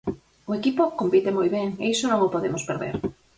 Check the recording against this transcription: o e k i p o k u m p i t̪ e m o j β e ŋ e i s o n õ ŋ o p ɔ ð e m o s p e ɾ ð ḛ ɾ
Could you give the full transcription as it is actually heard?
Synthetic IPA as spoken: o e k i p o k o m p i t̪ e m o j β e ŋ e i s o n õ ŋ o p o ð e m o s p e ɾ ð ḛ ɾ